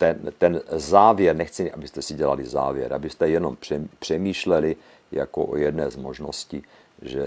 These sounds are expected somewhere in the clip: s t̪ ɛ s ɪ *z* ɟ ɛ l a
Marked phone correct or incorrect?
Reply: incorrect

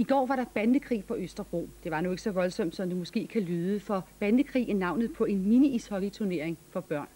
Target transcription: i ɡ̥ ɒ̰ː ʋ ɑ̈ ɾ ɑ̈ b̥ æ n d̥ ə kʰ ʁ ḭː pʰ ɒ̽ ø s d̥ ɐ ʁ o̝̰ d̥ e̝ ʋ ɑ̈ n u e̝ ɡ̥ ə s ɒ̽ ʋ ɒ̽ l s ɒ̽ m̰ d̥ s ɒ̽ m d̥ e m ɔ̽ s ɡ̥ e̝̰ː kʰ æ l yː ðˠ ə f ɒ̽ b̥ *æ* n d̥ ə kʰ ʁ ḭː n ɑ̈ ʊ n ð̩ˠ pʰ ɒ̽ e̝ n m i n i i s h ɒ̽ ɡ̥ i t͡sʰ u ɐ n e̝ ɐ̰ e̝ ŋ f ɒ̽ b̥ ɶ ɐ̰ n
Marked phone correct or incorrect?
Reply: correct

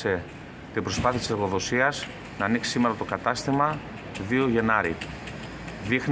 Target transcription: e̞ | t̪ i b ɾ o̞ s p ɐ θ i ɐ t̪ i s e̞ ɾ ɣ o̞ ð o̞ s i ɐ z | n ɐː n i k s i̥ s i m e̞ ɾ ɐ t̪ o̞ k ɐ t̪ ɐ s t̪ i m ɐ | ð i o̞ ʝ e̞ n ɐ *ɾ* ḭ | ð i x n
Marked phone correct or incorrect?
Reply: correct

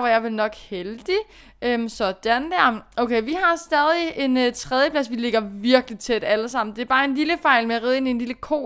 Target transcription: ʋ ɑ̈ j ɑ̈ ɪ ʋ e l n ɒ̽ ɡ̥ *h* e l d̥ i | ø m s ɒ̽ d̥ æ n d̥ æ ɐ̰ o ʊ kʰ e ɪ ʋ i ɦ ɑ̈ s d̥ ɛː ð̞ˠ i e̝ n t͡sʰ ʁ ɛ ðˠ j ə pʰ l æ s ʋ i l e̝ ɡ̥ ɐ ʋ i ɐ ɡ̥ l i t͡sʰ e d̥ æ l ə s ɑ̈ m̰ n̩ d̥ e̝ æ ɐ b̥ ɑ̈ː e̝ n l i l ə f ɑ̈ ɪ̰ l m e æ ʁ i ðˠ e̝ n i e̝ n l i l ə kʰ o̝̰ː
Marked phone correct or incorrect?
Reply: correct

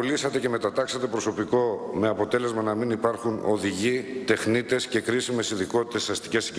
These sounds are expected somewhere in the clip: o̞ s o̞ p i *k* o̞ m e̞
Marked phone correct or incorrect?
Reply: correct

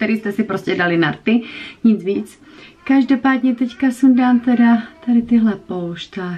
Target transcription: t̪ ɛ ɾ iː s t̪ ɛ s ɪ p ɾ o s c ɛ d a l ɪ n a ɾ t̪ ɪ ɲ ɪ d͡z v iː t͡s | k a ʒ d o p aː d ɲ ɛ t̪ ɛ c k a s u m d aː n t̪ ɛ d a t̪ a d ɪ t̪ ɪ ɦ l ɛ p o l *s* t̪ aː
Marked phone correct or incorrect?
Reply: incorrect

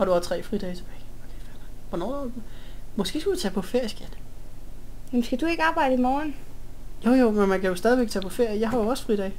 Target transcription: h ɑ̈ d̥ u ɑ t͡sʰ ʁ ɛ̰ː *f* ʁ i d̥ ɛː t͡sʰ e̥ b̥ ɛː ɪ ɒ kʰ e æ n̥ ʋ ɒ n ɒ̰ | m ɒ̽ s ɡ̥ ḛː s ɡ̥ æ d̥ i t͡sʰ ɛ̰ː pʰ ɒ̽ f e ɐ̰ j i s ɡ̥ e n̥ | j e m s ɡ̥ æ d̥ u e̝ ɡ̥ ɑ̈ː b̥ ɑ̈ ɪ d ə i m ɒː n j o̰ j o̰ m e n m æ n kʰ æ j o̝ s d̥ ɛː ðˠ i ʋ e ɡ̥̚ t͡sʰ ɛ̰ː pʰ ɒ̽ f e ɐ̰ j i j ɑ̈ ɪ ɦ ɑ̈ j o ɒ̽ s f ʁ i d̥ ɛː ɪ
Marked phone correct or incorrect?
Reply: correct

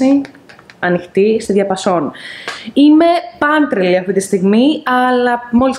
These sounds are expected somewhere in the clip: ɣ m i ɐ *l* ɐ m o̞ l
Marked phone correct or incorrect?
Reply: correct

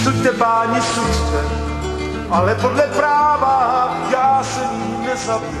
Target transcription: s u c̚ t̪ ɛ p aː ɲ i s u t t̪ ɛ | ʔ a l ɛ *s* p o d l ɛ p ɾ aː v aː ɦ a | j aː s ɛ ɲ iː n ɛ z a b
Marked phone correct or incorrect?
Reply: incorrect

